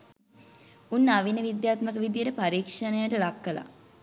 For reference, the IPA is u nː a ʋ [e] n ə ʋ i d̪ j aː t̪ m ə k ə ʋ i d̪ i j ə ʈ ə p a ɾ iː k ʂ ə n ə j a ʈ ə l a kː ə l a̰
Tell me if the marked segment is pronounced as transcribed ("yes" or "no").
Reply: no